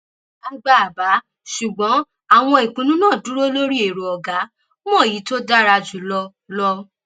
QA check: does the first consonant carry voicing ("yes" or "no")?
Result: yes